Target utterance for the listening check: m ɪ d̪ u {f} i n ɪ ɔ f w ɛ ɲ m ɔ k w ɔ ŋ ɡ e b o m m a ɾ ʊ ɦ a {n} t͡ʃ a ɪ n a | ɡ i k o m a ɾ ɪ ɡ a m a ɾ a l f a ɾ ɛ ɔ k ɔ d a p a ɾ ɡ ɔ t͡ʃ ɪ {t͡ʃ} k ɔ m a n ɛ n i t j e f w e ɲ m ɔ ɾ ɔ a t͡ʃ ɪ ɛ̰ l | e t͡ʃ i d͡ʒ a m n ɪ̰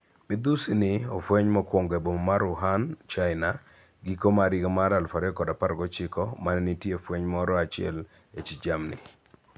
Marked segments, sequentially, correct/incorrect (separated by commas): incorrect, correct, incorrect